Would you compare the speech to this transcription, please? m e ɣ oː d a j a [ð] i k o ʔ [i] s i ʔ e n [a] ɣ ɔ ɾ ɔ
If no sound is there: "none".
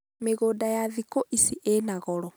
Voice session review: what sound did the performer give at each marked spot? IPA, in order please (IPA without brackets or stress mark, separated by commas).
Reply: ð, i, a